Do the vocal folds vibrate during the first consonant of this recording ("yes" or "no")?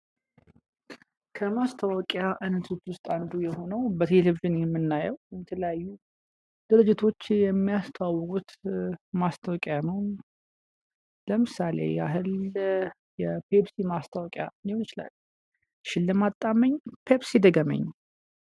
no